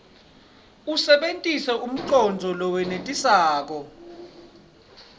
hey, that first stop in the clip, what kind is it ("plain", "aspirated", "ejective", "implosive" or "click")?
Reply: implosive